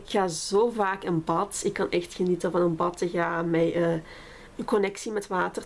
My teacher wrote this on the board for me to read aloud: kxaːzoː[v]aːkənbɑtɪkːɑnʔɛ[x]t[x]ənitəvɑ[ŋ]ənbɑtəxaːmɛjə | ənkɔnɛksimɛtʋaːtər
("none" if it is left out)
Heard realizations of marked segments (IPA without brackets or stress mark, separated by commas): v, x, x, n